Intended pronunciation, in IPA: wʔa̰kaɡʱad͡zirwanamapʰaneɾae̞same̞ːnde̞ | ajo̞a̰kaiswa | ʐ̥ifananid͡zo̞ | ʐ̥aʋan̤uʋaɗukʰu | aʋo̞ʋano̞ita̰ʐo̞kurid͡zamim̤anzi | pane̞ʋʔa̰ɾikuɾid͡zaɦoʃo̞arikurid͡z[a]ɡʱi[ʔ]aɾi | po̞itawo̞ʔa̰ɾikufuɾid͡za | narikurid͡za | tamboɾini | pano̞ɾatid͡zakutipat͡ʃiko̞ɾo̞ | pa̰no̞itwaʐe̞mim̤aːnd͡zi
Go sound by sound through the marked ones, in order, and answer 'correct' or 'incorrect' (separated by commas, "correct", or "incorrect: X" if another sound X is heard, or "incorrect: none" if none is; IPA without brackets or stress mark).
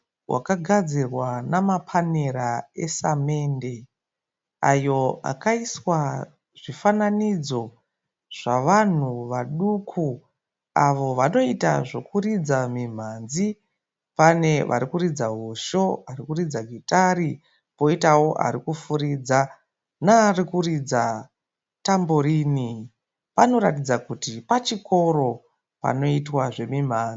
correct, incorrect: t